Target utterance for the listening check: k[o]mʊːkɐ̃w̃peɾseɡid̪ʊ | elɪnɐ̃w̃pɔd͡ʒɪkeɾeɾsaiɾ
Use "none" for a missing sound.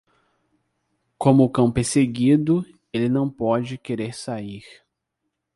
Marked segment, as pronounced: õ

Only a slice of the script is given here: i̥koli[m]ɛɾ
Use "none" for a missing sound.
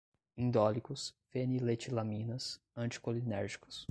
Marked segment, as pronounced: n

